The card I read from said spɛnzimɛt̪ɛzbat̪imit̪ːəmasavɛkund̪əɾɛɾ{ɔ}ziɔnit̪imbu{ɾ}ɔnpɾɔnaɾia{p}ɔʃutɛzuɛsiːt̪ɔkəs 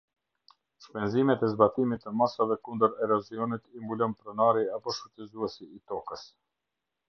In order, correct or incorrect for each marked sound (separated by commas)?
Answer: correct, incorrect, correct